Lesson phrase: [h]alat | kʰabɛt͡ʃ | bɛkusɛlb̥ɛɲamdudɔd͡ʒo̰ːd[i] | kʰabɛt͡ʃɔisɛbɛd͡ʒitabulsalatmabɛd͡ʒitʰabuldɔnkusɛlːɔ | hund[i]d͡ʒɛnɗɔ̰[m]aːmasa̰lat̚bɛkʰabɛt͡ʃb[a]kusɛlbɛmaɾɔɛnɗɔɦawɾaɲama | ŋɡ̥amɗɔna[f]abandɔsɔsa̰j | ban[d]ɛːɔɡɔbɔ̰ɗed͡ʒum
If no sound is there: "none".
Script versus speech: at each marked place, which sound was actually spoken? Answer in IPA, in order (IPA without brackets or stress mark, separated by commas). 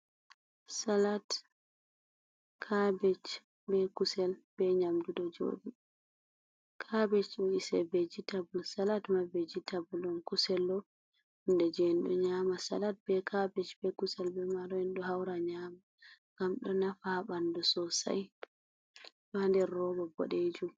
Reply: s, i, ɛ, ɲ, ɛ, f, d